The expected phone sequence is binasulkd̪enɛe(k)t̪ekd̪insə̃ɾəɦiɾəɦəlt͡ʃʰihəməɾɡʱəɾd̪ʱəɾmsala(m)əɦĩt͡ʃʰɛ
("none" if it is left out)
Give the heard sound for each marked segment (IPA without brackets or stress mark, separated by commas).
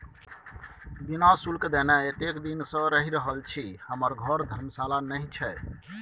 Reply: none, n